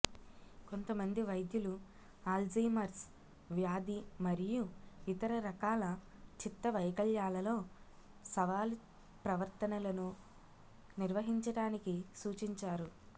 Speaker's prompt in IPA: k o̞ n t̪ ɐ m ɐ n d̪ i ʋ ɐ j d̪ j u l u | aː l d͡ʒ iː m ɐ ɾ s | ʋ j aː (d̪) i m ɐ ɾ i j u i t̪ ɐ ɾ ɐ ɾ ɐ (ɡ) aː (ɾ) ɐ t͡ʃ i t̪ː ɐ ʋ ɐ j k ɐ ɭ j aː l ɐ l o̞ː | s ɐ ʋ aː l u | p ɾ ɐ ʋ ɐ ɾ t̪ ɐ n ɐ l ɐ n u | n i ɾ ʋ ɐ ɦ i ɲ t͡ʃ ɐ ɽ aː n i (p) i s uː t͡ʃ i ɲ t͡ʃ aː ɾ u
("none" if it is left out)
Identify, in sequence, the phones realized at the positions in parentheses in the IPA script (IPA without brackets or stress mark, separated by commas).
d̪, k, l, k